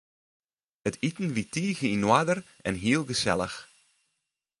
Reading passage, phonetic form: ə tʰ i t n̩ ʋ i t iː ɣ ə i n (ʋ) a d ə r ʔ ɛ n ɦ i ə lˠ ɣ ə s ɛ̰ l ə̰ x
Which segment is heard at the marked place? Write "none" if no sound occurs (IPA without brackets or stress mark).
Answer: w